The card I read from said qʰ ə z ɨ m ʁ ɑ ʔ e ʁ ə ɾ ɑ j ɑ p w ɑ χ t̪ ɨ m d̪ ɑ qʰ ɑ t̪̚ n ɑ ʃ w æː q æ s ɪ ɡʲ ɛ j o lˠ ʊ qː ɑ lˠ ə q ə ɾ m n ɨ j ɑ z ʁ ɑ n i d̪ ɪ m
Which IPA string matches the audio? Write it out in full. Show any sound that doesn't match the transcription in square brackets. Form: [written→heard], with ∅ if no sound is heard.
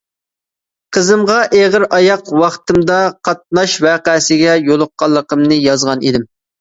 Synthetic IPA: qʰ ə z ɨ m ʁ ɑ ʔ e ʁ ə ɾ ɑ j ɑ [p→q] w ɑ χ t̪ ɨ m d̪ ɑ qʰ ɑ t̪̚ n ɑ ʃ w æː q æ s ɪ ɡʲ ɛ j o lˠ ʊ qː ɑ [lˠ→lˠː] ə q ə [ɾ→∅] m n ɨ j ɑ z ʁ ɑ n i d̪ ɪ m